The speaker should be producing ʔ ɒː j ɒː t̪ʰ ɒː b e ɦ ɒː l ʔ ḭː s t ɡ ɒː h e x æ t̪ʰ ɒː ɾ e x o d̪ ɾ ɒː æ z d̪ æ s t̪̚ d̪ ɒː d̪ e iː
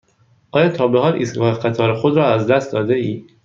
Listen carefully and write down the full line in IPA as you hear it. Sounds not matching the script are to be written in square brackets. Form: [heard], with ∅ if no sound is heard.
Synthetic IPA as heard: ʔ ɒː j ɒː t̪ʰ ɒː b e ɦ ɒː l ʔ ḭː s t ɡ ɒː h e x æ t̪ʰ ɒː ɾ e x o d̪ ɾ ɒː æ z d̪ æ s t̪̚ d̪ ɒː d̪ e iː